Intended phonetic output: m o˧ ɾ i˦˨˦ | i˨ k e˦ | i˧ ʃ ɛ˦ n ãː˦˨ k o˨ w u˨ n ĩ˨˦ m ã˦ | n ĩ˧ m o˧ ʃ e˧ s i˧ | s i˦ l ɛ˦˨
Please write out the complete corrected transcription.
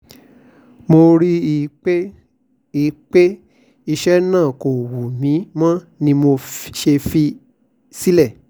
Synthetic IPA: m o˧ ɾ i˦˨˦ | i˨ k͡p e˦ | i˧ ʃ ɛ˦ n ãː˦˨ k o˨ w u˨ m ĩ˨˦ m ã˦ | n ĩ˧ m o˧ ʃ e˧ f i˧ | s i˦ l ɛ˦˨